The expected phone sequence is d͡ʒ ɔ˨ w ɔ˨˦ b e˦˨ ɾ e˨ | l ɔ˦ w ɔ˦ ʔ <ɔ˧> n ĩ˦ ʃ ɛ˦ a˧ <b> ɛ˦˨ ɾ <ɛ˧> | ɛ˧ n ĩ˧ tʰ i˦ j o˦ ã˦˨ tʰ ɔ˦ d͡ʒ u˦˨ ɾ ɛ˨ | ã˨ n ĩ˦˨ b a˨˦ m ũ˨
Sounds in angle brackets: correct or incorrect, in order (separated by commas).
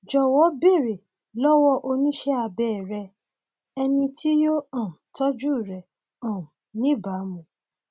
incorrect, correct, correct